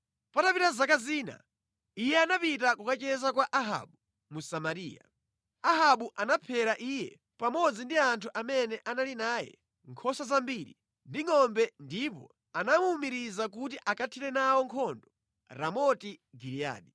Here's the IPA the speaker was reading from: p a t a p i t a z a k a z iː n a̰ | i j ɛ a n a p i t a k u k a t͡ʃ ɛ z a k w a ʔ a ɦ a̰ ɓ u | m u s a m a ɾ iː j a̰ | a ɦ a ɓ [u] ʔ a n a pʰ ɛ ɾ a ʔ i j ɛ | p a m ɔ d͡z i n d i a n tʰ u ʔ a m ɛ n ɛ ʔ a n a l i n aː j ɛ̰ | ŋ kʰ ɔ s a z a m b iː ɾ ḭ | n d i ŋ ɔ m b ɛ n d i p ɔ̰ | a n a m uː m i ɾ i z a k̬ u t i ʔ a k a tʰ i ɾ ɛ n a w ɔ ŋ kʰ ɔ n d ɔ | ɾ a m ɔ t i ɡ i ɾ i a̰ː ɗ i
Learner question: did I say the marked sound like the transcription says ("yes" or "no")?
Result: yes